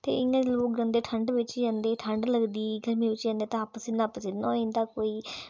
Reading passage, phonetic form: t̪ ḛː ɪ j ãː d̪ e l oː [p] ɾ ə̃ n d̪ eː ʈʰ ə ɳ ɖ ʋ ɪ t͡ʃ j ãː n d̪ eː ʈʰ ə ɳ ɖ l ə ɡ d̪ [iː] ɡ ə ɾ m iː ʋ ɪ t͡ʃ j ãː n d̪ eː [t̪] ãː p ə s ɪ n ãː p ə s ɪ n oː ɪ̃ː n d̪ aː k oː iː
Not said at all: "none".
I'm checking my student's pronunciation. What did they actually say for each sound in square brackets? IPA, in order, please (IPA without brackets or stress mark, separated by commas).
k, iː, t̪